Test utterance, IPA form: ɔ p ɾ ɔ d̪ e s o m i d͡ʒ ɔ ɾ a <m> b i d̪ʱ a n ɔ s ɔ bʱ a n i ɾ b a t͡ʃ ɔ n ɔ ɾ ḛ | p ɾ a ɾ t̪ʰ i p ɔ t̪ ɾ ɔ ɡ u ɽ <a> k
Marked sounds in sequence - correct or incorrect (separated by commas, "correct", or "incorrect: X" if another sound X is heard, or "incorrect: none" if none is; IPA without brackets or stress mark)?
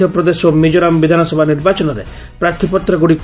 correct, incorrect: i